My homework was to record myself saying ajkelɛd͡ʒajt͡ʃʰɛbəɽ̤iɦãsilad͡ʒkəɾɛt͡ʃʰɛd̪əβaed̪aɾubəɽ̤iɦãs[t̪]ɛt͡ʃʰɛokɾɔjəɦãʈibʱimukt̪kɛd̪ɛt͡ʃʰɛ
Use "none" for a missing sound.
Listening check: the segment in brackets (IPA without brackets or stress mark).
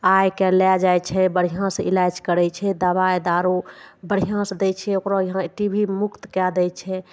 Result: d̪